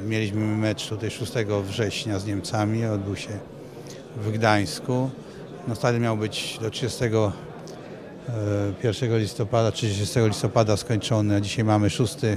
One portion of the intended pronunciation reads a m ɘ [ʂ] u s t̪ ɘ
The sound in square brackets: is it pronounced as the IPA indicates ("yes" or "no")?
yes